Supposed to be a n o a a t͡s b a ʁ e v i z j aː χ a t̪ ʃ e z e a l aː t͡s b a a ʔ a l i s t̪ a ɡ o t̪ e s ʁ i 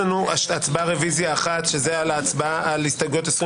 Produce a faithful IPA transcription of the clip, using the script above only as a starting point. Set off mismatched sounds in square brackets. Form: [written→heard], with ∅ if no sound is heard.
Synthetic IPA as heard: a n [o→u] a a t͡s b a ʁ e v i z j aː χ a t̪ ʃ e z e a l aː t͡s b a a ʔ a l i s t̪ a ɡ o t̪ e s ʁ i